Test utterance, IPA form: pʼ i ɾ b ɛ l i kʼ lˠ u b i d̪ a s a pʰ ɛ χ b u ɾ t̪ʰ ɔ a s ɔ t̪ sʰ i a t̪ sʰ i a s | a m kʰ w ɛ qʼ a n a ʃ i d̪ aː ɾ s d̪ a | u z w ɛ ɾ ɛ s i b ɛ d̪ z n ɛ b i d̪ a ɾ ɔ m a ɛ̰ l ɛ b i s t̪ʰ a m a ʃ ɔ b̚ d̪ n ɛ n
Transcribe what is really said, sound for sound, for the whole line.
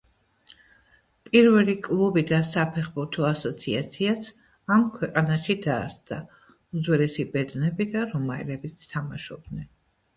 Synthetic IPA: pʼ i ɾ v ɛ l i kʼ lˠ u b i d̪ a s a pʰ ɛ χ b u ɾ t̪ʰ ɔ a s ɔ t̪ sʰ i a t̪ sʰ i a s | a m kʰ w ɛ qʼ a n a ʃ i d̪ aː ɾ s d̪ a | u z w ɛ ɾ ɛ s i b ɛ d̪ z n ɛ b i d̪ a ɾ ɔ m a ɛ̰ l ɛ b i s t̪ʰ a m a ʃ ɔ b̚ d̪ n ɛ n